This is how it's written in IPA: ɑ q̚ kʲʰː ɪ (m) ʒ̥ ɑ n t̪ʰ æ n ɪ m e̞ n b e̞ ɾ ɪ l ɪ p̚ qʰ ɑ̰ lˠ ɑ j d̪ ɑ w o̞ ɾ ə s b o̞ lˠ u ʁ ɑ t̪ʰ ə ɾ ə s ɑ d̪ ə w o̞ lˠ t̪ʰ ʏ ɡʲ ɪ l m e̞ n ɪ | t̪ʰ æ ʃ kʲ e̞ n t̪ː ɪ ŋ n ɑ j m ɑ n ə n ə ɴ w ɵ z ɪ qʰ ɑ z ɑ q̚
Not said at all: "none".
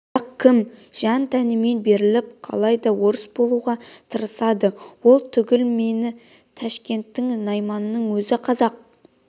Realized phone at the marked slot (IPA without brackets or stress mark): m